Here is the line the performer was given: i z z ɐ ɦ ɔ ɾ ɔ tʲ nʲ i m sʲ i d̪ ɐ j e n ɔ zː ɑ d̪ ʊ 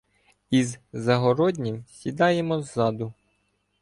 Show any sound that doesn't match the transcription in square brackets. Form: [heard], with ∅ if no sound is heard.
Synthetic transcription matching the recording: i z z ɐ ɦ ɔ ɾ ɔ [dʲ] nʲ i m sʲ i d̪ [ɑ] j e [m] ɔ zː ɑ d̪ ʊ